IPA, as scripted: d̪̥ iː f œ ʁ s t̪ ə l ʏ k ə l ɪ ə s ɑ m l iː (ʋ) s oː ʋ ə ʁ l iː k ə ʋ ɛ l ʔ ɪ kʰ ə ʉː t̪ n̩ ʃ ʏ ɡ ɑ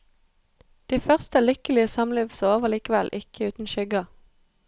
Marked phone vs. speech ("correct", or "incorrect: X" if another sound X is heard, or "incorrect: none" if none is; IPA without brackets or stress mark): correct